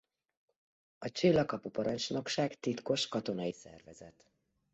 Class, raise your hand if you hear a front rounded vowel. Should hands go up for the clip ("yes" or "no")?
no